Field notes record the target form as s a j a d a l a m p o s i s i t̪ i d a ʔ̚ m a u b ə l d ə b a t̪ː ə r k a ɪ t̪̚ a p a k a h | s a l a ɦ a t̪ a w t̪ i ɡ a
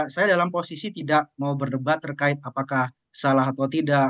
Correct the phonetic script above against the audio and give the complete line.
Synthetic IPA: s a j a d a l a m p o s i s i t̪ i d a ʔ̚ m a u b ə r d ə b a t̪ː ə r k a ɪ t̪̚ a p a k a h | s a l a ɦ a t̪ a w t̪ i d a